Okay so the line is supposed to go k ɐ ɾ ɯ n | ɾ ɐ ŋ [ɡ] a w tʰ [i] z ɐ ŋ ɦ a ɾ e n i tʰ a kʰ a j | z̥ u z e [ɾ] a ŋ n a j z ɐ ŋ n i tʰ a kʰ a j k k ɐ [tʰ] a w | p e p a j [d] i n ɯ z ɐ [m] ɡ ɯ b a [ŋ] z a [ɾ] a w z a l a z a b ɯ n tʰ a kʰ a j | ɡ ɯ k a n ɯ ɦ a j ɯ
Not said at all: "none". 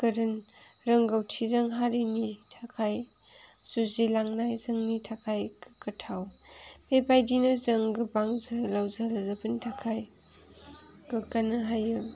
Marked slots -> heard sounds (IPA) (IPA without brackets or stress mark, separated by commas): ɡ, i, l, tʰ, d, ŋ, ŋ, l